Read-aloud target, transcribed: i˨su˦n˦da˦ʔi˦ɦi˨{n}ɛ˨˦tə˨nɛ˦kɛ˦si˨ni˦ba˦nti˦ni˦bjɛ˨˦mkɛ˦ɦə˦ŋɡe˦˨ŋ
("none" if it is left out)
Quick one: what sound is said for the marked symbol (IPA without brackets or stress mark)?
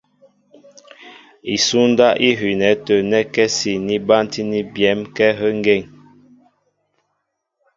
n